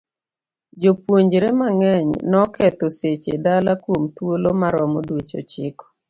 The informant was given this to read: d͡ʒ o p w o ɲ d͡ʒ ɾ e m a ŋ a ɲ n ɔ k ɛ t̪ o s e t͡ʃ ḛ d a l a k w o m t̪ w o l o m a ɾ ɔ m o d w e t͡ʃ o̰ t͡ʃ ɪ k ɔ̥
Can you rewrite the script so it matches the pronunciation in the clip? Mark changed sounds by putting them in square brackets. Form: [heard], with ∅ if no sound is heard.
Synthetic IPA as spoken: d͡ʒ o p w o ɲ d͡ʒ ɾ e m a ŋ [ɛ] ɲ n ɔ k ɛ t̪ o s e t͡ʃ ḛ d a l a k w o m t̪ w o l o m a ɾ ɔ m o d w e t͡ʃ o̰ t͡ʃ ɪ k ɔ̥